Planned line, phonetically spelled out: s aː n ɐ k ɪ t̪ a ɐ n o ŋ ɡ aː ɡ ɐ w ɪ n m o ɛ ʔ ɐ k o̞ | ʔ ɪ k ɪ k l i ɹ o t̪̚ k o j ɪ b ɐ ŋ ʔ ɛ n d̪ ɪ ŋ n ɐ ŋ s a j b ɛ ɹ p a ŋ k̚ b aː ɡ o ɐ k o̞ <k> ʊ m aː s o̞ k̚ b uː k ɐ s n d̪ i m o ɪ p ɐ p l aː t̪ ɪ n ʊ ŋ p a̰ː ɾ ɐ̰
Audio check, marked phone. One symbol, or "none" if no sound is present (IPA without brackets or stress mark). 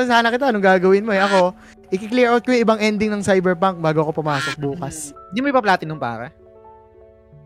p